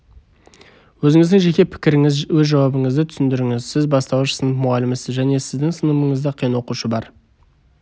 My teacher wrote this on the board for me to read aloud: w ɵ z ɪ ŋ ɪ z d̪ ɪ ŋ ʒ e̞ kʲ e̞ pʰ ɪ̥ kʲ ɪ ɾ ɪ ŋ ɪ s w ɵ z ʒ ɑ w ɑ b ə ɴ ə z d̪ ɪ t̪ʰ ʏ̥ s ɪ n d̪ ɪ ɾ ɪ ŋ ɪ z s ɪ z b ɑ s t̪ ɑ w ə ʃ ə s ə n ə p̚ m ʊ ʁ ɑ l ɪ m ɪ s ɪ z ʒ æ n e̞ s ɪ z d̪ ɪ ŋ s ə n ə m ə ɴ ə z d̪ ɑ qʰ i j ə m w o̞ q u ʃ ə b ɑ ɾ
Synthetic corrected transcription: w ɵ z ɪ ŋ ɪ z d̪ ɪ ŋ ʒ e̞ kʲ e̞ pʰ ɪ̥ kʲ ɪ ɾ ɪ ŋ ɪ z w ɵ z ʒ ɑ w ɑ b ə ɴ ə z d̪ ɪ t̪ʰ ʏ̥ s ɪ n d̪ ɪ ɾ ɪ ŋ ɪ z s ɪ z b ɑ s t̪ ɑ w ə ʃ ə s ə n ə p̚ m ʊ ʁ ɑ l ɪ m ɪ s ɪ z ʒ æ n e̞ s ɪ z d̪ ɪ ŋ s ə n ə m ə ɴ ə z d̪ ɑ qʰ i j ə n w o̞ q u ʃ ə b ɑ ɾ